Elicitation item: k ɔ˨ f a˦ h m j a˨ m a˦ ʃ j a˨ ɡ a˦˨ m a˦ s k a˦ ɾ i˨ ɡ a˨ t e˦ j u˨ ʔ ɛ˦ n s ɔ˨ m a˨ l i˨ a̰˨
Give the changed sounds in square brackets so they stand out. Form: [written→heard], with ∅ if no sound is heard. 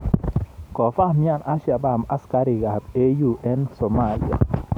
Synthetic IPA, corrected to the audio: k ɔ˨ f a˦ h m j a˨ [m→n] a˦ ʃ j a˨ [ɡ→b] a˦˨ m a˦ s k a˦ ɾ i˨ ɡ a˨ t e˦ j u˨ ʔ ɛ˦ n s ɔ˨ m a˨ l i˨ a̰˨